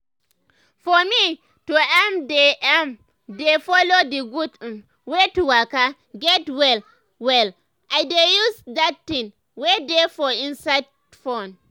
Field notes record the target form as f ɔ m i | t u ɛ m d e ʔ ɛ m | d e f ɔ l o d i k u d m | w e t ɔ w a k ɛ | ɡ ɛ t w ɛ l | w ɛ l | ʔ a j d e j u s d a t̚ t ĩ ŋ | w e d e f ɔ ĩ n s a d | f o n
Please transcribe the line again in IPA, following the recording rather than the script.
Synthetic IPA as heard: f ɔ m i | t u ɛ m d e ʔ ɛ m | d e f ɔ l o d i ɡ u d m | w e t u w a k a | ɡ ɛ t w ɛ l | w ɛ l | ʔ a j d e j u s d a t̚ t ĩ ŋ | w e d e f ɔ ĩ n s a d | f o n